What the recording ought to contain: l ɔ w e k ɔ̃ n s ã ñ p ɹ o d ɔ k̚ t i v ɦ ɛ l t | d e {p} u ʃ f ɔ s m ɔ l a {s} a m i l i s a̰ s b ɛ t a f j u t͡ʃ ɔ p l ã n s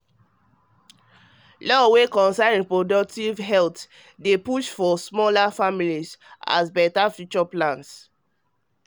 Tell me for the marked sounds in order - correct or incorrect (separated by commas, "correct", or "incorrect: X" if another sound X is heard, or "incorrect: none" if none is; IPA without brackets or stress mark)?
correct, incorrect: f